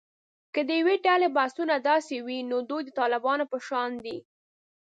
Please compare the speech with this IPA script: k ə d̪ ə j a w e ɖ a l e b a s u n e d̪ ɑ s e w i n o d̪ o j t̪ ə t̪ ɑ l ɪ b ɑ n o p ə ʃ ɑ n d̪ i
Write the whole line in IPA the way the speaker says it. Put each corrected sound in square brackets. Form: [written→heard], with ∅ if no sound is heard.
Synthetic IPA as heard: k ə d̪ ə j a w e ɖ a l e b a s u n [e→a] d̪ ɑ s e w i n o d̪ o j [t̪→d̪] ə t̪ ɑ l ɪ b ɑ n o p ə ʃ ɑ n d̪ i